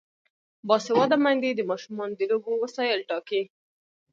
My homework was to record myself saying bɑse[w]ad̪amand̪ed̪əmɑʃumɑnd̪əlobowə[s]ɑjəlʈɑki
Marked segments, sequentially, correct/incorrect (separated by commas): correct, correct